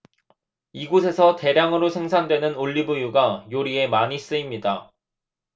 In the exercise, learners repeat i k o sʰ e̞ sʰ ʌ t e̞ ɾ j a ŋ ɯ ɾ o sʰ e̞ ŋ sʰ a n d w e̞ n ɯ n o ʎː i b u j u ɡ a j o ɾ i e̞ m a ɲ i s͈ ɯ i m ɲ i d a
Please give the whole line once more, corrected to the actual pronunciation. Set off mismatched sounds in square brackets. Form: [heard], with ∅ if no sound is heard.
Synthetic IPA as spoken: i [ɡ] o sʰ e̞ sʰ ʌ t e̞ ɾ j a ŋ ɯ ɾ o sʰ e̞ ŋ sʰ a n d w e̞ n ɯ n o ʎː i b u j u ɡ a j o ɾ i e̞ m a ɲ i s͈ ɯ i m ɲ i d a